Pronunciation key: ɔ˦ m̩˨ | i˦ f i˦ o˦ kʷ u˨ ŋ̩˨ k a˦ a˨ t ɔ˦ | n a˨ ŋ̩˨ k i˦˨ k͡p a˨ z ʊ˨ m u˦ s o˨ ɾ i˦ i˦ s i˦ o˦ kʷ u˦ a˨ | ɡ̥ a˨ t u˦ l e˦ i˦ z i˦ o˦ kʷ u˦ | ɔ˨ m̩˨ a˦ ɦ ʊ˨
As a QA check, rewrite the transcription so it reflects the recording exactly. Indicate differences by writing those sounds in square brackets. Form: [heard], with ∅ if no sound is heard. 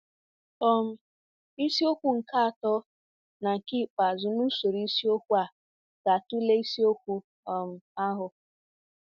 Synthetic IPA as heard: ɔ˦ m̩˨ | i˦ [s] i˦ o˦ kʷ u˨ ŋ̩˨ k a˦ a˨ t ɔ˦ | n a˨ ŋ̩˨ k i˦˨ k͡p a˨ z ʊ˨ [n] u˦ s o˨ ɾ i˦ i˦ s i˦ o˦ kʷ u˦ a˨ | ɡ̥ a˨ t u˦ l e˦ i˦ [s] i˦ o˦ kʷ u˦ | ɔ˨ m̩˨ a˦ ɦ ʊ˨